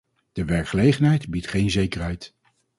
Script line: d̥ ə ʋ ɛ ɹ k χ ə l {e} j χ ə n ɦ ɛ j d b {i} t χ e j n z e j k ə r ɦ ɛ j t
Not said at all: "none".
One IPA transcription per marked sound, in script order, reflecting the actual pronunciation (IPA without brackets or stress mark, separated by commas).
e, i